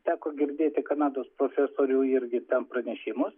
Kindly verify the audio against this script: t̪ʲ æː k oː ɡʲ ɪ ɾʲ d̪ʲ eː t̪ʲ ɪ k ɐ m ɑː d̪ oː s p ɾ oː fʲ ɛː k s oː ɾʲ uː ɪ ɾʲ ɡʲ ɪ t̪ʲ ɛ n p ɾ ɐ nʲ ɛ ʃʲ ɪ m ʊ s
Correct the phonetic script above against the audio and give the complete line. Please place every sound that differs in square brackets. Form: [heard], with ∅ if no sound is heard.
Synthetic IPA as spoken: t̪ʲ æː k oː ɡʲ ɪ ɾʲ d̪ʲ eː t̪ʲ ɪ k ɐ [n] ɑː d̪ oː s p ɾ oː fʲ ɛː [∅] s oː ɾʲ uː ɪ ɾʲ ɡʲ ɪ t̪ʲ ɛ n p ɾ ɐ nʲ ɛ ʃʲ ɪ m ʊ s